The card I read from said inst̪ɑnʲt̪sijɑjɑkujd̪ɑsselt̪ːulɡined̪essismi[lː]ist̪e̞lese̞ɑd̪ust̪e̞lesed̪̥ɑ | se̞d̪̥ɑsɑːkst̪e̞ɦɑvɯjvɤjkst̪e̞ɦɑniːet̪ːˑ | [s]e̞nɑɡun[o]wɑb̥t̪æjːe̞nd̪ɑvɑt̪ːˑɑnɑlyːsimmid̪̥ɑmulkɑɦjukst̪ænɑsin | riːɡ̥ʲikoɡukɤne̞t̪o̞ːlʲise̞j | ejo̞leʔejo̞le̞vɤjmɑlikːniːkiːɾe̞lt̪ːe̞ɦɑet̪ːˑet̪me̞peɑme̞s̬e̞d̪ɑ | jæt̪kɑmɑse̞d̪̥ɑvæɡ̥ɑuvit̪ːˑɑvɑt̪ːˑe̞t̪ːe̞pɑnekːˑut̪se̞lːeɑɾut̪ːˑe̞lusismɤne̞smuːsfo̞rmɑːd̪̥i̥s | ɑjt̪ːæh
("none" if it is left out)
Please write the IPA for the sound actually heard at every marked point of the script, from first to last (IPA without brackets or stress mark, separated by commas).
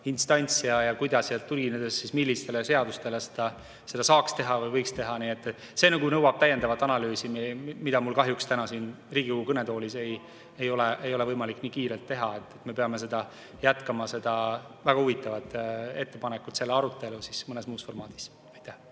lː, s, ɤ